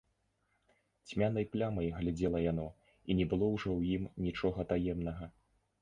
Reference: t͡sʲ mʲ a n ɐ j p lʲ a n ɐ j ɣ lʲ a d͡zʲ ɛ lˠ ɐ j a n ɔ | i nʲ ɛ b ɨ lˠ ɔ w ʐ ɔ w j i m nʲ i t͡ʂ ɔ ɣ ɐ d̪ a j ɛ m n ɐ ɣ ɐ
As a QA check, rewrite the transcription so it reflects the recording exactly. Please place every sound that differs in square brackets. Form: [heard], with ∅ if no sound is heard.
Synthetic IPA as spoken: t͡sʲ mʲ a n ɐ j p lʲ a [m] ɐ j ɣ lʲ a d͡zʲ ɛ lˠ ɐ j a n ɔ | i nʲ ɛ b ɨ lˠ ɔ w ʐ ɔ w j i m nʲ i t͡ʂ ɔ ɣ ɐ [t̪] a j ɛ m n ɐ ɣ ɐ